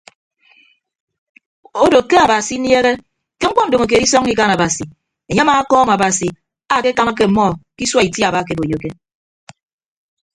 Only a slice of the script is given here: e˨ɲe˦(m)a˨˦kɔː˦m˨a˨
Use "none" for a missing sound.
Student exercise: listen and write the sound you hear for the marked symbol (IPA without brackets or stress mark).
m